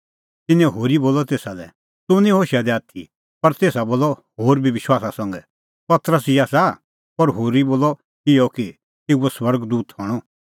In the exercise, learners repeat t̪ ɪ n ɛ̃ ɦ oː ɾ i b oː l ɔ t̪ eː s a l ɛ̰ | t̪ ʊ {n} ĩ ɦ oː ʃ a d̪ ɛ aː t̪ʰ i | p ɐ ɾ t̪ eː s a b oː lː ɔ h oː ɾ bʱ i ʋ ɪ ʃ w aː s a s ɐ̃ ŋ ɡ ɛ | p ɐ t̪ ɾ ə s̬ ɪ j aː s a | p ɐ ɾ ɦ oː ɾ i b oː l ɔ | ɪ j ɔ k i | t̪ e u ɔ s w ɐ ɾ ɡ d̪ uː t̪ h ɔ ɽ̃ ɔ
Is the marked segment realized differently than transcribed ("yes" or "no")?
no